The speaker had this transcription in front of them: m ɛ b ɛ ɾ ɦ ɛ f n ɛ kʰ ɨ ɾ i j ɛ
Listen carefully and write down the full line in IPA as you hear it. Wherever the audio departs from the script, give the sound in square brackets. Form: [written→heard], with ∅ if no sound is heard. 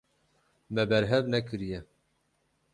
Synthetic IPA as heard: m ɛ b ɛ ɾ ɦ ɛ [f→v] n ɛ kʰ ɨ ɾ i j ɛ